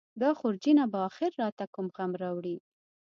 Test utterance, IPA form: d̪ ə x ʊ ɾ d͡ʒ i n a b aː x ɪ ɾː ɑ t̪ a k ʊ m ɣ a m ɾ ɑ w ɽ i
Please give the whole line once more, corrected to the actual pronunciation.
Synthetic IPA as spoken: d̪ ɑ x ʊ ɾ d͡ʒ i n a b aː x ɪ ɾː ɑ t̪ a k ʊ m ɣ a m ɾ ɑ w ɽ i